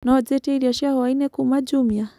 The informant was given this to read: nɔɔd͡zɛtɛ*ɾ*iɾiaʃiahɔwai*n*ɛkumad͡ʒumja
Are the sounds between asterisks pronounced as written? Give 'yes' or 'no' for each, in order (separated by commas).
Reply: no, yes